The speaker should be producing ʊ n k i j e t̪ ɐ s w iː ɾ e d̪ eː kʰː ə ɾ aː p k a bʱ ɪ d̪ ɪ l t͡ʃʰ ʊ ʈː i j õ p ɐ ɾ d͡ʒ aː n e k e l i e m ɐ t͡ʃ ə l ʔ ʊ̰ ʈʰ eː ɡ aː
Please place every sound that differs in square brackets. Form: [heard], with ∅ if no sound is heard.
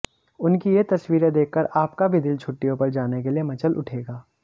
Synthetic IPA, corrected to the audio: ʊ n k i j e t̪ ɐ s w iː ɾ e d̪ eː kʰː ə ɾ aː p k a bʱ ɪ d̪ ɪ l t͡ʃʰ ʊ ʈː i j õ p ɐ ɾ d͡ʒ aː n e k e l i e m ɐ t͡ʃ ə l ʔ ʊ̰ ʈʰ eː ɡ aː